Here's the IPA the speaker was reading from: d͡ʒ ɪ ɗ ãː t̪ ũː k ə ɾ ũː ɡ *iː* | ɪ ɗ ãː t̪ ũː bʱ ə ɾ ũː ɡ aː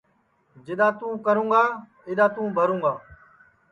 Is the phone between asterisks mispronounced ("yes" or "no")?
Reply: yes